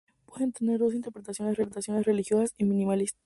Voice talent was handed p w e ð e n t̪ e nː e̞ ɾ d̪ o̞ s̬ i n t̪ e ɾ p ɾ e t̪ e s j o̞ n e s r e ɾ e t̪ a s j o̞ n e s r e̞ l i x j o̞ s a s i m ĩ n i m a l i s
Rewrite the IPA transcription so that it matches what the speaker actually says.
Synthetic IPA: p w e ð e n t̪ e n e̞ ɾ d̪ o̞ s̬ i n t̪ e ɾ p ɾ e t̪ a s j o̞ n e s r e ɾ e t̪ a s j o̞ n e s r e̞ l i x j o̞ s a s i m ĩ n i m a l i s